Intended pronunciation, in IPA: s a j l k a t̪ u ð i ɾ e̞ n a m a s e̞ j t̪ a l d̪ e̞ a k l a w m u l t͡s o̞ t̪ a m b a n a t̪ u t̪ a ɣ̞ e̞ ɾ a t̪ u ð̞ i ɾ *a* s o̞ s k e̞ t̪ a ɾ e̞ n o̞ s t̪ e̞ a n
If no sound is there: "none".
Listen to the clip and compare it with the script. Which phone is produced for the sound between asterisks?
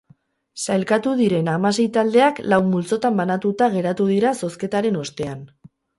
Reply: a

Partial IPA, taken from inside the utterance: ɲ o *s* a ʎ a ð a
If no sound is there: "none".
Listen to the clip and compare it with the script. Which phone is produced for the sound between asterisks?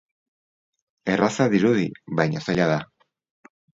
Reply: s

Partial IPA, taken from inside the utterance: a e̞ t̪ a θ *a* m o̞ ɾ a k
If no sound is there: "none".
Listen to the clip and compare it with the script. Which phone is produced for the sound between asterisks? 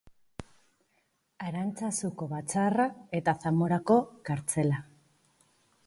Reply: a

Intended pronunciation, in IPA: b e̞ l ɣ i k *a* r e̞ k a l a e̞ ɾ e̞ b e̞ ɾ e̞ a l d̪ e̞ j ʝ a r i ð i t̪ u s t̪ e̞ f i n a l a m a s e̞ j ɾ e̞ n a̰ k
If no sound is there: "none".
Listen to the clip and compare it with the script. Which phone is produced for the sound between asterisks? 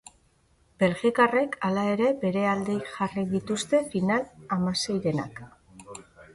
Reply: a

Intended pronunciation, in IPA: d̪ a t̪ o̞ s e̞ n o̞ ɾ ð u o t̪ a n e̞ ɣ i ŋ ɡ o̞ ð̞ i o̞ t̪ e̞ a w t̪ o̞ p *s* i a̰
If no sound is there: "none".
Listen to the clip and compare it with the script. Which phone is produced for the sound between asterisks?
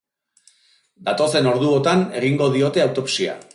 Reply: s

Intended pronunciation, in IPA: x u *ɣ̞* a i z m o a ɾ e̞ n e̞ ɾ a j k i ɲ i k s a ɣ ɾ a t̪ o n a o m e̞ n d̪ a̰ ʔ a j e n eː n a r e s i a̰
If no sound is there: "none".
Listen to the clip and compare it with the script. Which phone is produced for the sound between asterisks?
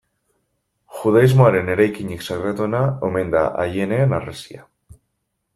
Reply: ð̞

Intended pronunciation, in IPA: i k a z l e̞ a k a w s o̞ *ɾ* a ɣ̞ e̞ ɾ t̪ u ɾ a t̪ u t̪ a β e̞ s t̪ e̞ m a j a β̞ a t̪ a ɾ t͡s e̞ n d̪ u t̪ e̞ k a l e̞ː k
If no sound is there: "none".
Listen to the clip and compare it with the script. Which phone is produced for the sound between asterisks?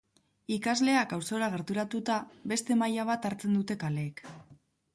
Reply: ɾ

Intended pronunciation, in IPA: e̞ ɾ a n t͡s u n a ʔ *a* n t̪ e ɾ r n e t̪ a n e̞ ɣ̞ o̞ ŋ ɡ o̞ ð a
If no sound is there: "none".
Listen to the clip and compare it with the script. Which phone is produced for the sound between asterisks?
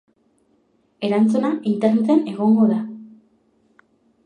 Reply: i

